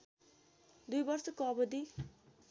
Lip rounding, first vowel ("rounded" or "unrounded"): rounded